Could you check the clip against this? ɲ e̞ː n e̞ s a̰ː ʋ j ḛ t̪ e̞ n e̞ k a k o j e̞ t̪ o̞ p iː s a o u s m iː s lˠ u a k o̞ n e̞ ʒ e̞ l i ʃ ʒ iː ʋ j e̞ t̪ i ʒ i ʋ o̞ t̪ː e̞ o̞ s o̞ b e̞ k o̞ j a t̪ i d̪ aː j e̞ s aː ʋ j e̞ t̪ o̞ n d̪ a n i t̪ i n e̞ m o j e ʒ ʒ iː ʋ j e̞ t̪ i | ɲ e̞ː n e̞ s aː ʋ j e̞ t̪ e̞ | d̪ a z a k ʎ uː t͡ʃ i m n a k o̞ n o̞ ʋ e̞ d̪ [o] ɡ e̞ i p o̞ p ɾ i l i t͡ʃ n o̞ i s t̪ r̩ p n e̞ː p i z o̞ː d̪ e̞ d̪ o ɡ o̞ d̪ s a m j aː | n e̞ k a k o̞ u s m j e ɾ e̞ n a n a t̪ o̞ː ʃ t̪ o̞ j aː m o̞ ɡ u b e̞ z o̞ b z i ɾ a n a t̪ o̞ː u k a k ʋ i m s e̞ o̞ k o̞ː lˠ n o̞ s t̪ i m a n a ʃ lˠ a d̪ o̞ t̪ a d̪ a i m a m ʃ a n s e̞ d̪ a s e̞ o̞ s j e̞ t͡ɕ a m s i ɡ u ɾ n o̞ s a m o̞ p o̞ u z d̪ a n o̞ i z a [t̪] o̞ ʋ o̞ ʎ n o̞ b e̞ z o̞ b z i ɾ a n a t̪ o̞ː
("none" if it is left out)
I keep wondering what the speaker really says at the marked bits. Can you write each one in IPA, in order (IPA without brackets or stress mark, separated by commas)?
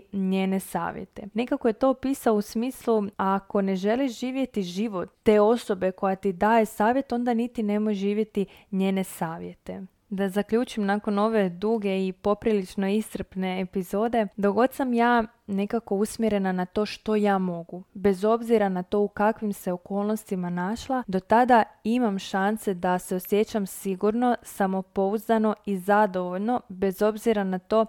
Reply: u, d̪